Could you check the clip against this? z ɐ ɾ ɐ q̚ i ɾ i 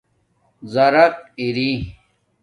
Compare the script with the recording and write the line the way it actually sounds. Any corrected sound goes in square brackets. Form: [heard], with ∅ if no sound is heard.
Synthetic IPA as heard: z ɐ ɾ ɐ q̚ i ɾ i

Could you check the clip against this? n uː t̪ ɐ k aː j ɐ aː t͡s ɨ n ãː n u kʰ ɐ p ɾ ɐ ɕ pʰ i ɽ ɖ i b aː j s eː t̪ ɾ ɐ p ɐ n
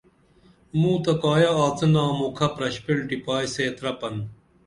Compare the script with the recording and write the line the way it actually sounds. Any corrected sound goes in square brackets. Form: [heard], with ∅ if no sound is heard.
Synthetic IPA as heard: [m] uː t̪ ɐ k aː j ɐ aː t͡s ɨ n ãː [m] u kʰ ɐ p ɾ ɐ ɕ [p] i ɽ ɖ i [p] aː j s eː t̪ ɾ ɐ p ɐ n

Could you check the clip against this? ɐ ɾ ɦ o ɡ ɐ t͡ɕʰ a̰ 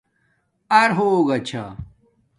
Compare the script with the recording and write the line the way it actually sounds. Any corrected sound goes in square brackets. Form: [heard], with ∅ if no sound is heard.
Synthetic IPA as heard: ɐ ɾ ɦ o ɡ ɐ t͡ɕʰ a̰

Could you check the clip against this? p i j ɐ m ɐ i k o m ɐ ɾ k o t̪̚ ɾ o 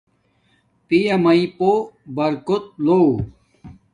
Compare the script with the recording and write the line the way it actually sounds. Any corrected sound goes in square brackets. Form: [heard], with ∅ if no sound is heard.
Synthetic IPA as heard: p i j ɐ m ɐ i [p] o [b] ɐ ɾ k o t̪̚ [l] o

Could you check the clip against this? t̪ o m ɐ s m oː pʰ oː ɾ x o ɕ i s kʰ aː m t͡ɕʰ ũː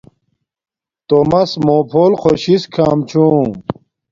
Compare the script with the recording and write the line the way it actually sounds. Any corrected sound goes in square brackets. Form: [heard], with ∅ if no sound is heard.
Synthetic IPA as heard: t̪ o m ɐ s m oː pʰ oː [l] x o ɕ i s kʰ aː m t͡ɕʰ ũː

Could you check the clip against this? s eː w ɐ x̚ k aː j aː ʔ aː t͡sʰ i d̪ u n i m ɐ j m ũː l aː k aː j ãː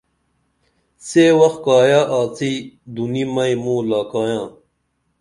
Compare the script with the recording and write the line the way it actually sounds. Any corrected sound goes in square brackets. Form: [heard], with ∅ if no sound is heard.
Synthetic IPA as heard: s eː w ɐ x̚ k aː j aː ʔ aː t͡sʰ i d̪ u n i m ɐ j m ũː l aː k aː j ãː

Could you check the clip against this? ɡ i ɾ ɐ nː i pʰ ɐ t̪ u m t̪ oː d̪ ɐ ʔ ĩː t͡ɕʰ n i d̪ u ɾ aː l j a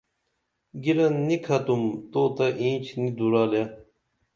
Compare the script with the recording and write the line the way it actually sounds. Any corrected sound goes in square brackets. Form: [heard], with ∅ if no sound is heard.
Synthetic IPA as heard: ɡ i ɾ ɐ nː i [kʰ] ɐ t̪ u m t̪ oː [t̪] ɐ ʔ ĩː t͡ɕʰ n i d̪ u ɾ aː l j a

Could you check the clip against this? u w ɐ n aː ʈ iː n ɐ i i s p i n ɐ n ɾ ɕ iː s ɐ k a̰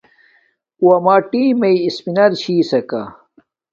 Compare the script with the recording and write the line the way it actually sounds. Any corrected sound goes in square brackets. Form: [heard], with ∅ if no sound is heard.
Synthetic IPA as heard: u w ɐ [m] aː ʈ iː [m] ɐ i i s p i n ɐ [∅] ɾ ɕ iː s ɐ k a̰

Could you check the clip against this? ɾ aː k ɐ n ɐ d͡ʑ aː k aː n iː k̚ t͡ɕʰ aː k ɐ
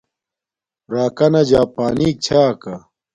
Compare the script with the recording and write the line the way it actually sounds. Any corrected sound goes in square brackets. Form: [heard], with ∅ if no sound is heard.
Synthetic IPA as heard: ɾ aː k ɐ n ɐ d͡ʑ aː [p] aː n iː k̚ t͡ɕʰ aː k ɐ

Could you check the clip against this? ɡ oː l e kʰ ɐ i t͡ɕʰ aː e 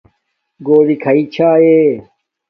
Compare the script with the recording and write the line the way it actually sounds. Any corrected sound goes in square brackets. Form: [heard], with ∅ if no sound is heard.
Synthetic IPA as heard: ɡ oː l [i] kʰ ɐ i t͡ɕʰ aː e

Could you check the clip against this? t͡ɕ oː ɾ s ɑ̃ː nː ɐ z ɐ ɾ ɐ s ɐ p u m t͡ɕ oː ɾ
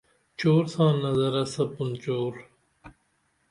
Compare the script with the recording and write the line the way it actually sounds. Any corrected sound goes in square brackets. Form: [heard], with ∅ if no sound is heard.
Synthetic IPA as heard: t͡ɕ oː ɾ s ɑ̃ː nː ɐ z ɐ ɾ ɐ s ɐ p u [n] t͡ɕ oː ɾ

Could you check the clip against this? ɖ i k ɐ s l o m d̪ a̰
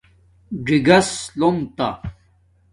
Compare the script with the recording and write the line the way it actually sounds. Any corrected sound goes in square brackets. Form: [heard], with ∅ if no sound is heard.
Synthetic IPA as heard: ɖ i [ɡ] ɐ s l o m [t̪] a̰

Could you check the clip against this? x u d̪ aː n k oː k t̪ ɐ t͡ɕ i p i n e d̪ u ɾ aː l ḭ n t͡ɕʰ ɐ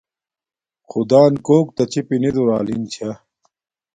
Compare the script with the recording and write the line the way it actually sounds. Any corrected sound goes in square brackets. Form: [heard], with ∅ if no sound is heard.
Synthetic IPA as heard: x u d̪ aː n k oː k t̪ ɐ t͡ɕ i p i n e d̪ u ɾ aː l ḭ n t͡ɕʰ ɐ

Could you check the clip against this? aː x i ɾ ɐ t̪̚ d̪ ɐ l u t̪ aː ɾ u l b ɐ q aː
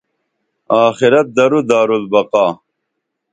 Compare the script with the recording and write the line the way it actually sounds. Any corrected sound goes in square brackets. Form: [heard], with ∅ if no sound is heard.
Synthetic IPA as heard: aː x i ɾ ɐ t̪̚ d̪ ɐ [ɾ] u [d̪] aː ɾ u l b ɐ q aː

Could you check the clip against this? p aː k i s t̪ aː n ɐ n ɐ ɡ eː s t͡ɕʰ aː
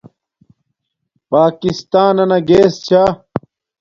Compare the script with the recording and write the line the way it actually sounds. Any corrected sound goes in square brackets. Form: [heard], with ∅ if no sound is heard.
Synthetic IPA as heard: p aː k i s t̪ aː n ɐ n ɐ ɡ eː s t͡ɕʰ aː

